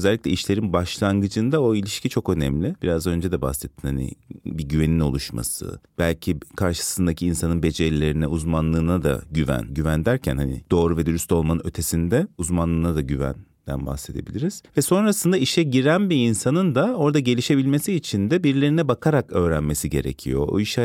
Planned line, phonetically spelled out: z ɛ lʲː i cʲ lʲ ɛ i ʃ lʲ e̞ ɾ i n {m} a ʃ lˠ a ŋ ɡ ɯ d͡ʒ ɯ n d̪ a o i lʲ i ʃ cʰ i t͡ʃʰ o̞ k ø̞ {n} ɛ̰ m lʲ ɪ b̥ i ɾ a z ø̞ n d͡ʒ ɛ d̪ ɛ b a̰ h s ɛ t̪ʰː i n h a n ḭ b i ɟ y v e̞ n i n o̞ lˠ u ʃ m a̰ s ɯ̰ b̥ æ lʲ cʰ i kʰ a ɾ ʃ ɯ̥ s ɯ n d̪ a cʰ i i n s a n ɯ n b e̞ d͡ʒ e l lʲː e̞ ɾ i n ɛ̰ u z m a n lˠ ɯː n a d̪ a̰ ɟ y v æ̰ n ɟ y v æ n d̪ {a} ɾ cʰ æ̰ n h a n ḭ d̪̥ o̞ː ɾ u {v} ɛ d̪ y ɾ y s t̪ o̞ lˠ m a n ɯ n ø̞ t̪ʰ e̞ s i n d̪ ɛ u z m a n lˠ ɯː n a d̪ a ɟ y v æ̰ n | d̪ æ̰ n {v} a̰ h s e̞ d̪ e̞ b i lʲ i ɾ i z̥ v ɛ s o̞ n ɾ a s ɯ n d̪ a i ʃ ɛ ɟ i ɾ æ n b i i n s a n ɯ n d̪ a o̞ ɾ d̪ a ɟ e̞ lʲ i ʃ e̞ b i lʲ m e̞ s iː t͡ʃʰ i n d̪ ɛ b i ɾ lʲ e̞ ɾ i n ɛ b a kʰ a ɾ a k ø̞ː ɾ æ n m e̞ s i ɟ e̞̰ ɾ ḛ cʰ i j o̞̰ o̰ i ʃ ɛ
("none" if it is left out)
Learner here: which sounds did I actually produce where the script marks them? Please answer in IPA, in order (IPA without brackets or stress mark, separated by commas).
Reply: b, n, æ, v, b